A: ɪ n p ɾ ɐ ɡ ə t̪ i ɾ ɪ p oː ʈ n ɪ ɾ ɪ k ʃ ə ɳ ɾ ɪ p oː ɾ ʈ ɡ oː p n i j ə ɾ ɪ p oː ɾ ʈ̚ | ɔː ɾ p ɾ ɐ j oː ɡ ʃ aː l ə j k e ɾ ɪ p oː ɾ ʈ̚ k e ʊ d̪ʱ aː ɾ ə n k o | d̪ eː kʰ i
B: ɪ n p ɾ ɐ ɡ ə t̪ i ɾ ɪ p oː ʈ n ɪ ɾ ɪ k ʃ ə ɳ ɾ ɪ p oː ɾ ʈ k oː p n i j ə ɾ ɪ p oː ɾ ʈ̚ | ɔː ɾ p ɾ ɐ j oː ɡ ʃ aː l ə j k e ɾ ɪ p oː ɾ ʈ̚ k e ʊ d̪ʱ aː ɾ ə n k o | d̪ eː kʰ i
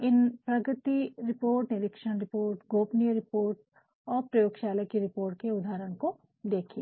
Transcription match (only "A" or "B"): A